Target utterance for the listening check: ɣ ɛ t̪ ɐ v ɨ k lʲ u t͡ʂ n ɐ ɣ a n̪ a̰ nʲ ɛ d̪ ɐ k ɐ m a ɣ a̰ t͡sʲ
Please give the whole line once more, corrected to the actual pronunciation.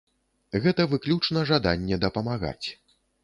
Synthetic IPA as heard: ɣ ɛ t̪ ɐ v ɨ k lʲ u t͡ʂ n ɐ ʐ a d̪ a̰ nʲː ɛ d̪ ɐ p ɐ m a ɣ a̰ t͡sʲ